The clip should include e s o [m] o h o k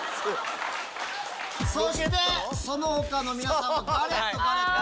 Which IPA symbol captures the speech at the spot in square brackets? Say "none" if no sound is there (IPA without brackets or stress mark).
n